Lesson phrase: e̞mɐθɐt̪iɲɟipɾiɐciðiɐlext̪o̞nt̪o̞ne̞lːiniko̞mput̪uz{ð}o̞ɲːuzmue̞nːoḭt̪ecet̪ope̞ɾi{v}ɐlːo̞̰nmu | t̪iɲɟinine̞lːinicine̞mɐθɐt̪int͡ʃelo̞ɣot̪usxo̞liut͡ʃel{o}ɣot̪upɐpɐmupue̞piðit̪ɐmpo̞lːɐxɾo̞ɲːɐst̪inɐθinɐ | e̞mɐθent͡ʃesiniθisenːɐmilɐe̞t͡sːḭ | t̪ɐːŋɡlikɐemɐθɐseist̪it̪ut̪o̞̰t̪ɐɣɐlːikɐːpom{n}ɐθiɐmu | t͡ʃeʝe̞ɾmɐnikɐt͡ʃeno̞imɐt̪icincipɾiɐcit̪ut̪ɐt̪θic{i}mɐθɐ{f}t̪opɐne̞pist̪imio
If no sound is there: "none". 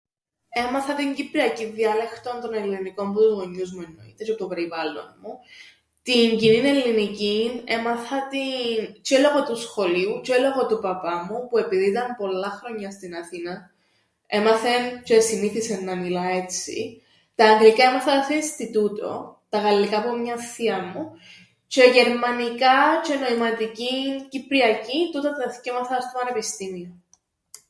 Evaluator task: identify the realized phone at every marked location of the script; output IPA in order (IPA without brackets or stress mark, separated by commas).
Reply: ɣ, v, o, ɲ, e, s